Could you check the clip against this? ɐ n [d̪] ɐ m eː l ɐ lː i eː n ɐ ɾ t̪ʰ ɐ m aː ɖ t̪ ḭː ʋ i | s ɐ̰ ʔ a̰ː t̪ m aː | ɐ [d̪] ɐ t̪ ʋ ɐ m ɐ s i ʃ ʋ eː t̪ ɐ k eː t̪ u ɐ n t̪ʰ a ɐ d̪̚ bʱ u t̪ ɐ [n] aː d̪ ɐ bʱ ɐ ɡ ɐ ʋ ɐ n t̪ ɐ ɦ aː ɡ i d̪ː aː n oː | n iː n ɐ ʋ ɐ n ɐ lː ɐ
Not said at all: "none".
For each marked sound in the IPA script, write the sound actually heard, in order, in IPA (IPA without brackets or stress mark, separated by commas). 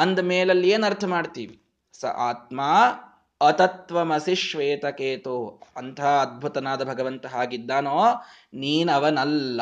d̪, t̪, n